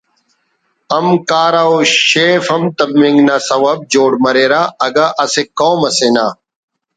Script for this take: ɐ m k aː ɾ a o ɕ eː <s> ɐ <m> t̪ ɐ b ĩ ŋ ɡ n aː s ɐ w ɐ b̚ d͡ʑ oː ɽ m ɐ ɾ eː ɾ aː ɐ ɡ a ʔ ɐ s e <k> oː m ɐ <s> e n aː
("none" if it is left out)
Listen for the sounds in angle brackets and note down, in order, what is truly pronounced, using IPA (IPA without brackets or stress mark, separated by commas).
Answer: f, m, k, s